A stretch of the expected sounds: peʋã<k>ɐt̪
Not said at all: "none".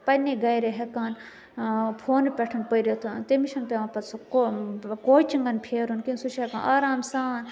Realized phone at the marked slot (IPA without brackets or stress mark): p